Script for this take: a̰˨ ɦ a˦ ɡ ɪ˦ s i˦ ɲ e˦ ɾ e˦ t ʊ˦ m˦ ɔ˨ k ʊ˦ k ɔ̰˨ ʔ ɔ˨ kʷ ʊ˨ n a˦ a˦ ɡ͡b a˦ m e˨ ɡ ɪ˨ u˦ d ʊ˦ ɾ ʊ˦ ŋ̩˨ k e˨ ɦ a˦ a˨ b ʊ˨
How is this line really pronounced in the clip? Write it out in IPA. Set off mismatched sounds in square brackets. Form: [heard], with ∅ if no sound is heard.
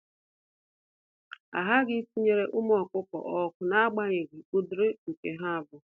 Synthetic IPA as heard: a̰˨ ɦ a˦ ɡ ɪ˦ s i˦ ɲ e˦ ɾ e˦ [ʔ] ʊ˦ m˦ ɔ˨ k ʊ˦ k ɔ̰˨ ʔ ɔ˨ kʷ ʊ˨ n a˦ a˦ ɡ͡b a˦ [ɲ] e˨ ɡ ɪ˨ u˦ d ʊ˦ ɾ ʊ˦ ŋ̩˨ k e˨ ɦ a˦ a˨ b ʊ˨